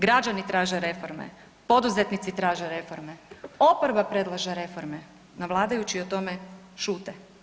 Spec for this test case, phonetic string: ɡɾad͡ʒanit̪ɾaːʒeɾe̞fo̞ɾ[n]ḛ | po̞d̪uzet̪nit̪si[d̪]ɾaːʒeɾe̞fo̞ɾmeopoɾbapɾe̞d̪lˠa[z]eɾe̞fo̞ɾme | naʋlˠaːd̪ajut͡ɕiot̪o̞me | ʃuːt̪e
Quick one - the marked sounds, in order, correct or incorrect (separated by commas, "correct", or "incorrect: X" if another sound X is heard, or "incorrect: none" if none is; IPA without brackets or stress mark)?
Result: incorrect: m, incorrect: t̪, incorrect: ʒ